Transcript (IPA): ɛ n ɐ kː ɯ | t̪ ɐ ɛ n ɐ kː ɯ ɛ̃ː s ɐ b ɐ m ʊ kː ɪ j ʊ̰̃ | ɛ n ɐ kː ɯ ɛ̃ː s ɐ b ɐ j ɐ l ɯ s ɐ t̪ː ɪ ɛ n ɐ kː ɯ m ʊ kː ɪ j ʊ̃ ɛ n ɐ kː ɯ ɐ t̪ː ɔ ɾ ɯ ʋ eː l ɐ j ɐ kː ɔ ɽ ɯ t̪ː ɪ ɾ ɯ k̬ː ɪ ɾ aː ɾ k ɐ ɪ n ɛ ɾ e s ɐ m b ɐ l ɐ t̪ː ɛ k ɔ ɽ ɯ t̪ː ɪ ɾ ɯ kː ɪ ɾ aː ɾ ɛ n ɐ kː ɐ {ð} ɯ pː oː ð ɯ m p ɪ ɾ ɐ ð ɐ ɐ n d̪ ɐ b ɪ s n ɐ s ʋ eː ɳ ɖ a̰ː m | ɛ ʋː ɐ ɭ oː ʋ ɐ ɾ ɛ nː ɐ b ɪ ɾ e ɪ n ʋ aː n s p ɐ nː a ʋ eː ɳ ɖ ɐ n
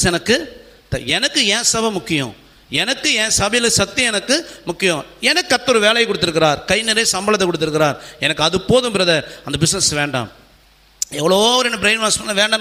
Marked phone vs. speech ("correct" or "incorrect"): correct